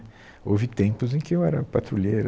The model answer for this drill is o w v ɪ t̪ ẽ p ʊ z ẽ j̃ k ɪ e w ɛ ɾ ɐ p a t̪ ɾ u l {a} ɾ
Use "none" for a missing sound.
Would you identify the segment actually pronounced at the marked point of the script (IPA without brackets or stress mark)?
e